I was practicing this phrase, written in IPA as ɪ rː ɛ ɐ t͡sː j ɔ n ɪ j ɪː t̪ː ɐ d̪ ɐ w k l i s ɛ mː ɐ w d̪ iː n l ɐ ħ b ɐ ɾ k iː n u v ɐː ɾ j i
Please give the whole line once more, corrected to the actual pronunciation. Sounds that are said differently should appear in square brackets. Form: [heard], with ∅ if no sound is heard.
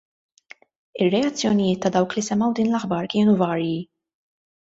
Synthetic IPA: ɪ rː ɛ ɐ t͡sː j ɔ n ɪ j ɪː t̪ː ɐ d̪ ɐ w k l i s ɛ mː ɐ w d̪ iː n l ɐ ħ b ɐ ɾ k [ɪː] n u v ɐː ɾ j i